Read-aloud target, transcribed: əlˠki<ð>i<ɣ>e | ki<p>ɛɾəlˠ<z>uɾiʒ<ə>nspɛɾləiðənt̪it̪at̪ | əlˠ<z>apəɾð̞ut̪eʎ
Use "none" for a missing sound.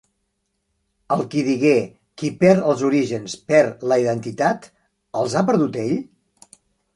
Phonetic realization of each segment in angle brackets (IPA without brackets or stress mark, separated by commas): ð, ɣ, p, z, ə, z